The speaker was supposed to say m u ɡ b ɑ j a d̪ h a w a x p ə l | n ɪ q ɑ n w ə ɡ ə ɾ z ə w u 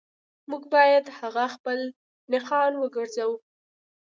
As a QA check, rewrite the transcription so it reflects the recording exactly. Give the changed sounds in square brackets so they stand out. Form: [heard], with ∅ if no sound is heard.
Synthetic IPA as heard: m u ɡ b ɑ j a d̪ h a [ɣ] a x p ə l | n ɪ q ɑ n w ə ɡ ə ɾ z [a] w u

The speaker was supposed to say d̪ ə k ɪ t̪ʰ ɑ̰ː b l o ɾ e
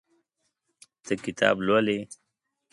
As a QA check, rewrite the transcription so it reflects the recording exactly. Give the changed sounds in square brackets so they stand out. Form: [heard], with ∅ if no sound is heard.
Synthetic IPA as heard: [t̪] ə k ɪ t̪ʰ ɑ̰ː b l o [l] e

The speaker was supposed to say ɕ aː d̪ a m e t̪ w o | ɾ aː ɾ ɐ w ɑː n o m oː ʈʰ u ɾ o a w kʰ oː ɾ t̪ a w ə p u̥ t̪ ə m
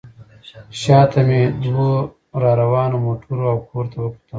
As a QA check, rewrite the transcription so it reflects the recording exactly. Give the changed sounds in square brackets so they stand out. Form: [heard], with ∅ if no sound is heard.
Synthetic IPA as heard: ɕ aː [t̪] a m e [d̪] w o | ɾ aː ɾ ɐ w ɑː n o m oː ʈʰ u ɾ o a w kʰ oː ɾ t̪ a w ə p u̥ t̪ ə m

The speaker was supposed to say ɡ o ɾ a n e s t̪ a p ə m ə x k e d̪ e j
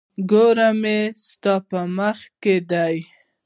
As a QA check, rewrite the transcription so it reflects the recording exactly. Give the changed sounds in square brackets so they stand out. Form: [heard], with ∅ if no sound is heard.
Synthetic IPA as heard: ɡ o ɾ a [m] e s t̪ [ɑ] p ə m ə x k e d̪ [a] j

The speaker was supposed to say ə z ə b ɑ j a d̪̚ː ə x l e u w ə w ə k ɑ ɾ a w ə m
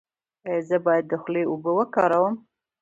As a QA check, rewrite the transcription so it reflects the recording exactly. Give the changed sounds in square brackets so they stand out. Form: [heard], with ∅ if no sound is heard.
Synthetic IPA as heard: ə z ə b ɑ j a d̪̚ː ə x l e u [b] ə w ə k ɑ ɾ a w ə m

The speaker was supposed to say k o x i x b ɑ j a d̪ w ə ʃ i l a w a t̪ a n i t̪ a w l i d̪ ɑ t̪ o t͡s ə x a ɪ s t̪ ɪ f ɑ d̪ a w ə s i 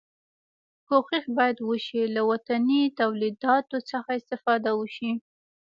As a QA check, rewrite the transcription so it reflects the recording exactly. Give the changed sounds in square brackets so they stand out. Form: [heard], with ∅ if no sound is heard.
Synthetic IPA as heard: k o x i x b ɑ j a d̪ w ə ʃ i l a w a t̪ a n i t̪ a w l i d̪ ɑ t̪ o t͡s ə x a ɪ s t̪ ɪ f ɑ d̪ a w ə [ʃ] i

